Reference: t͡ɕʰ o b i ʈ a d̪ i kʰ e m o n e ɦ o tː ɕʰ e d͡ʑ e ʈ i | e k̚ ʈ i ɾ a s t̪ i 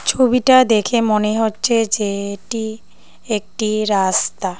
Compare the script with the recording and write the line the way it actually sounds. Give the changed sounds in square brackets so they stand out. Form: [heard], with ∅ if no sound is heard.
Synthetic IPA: t͡ɕʰ o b i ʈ a d̪ [e] kʰ e m o n e ɦ o tː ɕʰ e d͡ʑ e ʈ i | e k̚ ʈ i ɾ a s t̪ [a]